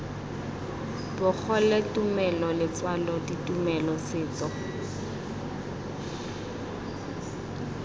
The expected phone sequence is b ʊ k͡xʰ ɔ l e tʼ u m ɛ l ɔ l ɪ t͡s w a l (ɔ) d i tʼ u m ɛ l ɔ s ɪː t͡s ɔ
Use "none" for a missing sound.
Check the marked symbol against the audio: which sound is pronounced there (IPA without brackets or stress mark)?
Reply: ɔ